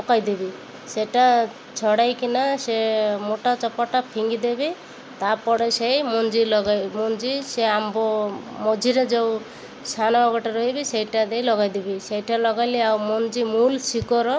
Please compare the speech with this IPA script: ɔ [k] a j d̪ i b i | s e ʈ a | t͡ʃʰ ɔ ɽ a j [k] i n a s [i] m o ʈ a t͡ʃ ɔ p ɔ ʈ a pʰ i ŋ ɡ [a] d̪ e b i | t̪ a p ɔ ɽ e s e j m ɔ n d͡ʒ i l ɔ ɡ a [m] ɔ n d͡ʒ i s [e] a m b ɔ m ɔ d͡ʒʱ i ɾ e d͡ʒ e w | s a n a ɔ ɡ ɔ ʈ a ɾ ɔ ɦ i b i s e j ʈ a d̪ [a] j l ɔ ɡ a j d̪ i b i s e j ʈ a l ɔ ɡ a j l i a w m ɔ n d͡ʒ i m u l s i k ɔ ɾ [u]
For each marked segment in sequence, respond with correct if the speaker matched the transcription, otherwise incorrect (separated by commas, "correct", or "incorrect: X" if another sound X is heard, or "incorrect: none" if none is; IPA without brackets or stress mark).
correct, correct, incorrect: e, incorrect: i, correct, correct, incorrect: e, incorrect: ɔ